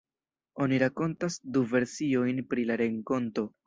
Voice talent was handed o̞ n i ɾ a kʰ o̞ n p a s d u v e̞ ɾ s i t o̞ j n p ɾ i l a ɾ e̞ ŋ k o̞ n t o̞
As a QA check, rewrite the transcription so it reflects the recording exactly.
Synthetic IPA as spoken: o̞ n i ɾ a k o̞ n t a s d u v e̞ ɾ s i o̞ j n p ɾ i l a ɾ e̞ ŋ k o̞ n t o̞